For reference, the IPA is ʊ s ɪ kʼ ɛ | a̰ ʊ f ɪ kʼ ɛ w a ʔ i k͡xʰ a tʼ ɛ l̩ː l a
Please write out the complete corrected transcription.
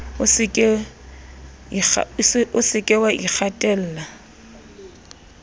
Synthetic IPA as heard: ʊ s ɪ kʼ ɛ | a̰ ʊ s ɪ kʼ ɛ w a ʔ i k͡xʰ a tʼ ɛ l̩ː l a